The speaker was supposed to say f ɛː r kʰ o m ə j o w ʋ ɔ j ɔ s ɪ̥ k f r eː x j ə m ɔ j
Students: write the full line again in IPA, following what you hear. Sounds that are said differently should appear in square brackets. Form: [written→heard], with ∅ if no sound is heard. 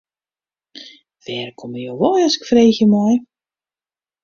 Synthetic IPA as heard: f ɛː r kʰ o m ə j o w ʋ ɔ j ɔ s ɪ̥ k f r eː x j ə m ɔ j